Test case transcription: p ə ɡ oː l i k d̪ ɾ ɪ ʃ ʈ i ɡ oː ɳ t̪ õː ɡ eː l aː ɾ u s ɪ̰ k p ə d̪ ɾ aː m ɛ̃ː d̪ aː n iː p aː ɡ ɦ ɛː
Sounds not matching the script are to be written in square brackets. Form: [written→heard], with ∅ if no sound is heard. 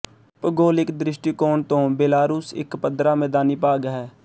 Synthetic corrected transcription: p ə ɡ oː l [i→ɪ] k d̪ ɾ ɪ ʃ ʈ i [ɡ→k] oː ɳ t̪ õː [ɡ→b] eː l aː ɾ [u→uː] s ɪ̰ k p ə d̪ ɾ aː m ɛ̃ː d̪ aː n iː p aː ɡ ɦ ɛː